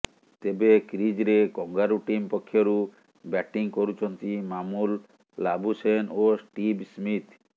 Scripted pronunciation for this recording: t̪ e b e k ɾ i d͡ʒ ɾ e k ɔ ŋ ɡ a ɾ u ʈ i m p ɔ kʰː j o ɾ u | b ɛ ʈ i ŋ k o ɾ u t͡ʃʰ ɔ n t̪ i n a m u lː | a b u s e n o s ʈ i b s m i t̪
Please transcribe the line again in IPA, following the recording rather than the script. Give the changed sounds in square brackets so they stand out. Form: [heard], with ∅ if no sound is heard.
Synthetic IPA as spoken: t̪ e b e k ɾ i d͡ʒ ɾ e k ɔ ŋ ɡ a ɾ u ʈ i m p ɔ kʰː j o ɾ u | b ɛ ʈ i ŋ k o ɾ u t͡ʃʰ ɔ n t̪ i [m] a m u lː | a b u s e n o s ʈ i b s m i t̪